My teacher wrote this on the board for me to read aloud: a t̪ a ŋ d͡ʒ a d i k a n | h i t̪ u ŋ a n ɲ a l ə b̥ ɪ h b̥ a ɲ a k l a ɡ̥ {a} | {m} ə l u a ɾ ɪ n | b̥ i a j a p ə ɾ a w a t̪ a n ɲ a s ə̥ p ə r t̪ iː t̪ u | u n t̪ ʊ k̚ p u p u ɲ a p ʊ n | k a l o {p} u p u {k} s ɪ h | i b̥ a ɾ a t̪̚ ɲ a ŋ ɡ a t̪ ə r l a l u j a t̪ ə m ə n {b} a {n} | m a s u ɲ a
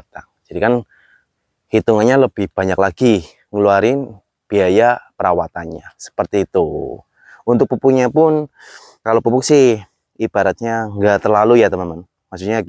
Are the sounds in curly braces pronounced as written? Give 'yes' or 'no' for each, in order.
no, no, yes, yes, no, yes

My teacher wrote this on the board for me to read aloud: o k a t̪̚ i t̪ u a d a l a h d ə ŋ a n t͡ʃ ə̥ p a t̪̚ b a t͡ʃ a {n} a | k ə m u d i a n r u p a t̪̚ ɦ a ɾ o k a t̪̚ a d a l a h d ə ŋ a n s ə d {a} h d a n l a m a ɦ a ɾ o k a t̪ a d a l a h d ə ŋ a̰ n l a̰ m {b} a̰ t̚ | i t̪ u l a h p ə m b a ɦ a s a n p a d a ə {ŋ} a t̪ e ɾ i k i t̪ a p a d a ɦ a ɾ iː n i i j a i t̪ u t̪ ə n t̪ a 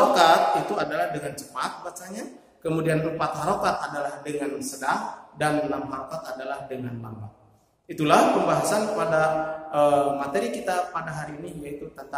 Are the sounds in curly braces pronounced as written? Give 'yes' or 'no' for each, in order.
no, yes, yes, no

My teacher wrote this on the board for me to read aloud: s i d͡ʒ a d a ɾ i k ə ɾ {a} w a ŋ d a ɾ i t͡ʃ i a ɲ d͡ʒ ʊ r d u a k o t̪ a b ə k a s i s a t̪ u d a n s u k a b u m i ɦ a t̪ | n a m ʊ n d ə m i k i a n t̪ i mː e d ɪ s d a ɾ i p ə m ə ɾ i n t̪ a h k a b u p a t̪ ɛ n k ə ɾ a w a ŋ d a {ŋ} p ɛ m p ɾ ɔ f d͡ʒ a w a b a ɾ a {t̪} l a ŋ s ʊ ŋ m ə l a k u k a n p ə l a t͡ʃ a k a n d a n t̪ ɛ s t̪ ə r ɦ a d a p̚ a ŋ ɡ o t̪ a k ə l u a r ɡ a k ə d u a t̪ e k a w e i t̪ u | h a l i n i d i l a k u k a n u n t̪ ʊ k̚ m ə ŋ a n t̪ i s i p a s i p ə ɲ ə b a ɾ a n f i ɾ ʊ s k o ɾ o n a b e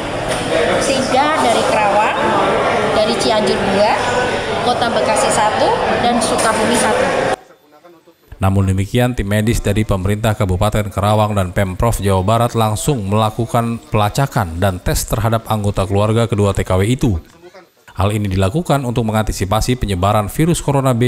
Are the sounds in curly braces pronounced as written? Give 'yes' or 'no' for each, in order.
yes, no, yes

